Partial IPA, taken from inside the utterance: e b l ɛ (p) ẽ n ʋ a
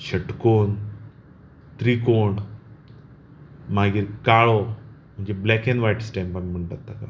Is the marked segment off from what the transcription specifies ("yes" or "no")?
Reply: yes